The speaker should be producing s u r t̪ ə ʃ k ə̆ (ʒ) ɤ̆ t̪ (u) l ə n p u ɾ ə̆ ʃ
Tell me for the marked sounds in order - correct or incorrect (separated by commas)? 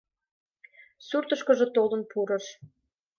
correct, incorrect